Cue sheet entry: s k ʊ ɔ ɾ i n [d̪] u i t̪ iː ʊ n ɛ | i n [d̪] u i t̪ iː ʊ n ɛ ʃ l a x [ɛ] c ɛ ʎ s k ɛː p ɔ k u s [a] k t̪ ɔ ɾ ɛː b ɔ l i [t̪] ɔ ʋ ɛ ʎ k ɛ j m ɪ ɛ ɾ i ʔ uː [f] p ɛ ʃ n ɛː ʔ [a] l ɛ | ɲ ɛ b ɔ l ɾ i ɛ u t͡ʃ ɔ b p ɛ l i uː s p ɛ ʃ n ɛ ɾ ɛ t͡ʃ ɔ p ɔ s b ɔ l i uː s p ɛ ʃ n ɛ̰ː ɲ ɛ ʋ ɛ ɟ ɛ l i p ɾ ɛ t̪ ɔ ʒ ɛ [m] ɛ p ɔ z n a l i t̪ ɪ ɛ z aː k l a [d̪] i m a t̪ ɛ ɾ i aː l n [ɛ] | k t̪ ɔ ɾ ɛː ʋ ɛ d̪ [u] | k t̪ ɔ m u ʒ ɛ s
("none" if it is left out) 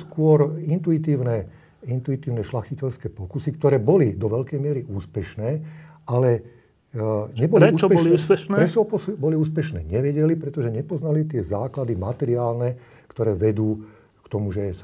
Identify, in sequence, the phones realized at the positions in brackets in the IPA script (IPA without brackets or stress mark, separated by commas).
t̪, t̪, i, i, d̪, s, a, ɲ, d̪, ɛ, uː